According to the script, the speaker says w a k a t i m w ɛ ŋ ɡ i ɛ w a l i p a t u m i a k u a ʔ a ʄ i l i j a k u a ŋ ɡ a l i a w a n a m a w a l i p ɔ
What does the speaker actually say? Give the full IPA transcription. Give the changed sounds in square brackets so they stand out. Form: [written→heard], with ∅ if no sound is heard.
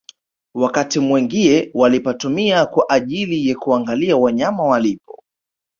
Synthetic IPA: w a k a t i m w ɛ ŋ ɡ i ɛ w a l i p a t u m i a k [u→w] a ʔ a ʄ i l i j a k u a ŋ ɡ a l i a w a [n→ɲ] a m a w a l i p ɔ